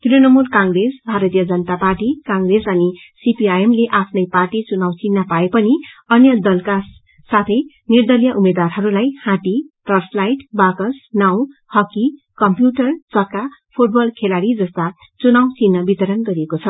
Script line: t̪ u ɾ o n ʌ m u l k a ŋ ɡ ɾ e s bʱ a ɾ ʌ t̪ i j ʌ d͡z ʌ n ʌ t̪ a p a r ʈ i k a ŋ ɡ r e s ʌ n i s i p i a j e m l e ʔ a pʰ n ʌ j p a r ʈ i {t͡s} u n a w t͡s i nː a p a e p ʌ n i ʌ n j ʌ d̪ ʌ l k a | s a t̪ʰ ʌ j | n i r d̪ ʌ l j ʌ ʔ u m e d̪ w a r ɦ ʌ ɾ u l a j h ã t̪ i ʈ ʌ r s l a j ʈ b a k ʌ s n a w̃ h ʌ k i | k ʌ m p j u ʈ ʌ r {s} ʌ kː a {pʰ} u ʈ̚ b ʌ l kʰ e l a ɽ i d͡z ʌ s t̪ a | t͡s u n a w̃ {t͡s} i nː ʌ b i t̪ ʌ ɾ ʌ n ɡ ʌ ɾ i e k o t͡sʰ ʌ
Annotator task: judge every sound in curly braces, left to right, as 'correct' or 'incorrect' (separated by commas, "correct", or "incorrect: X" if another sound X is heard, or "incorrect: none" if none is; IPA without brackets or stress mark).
correct, incorrect: t͡s, correct, correct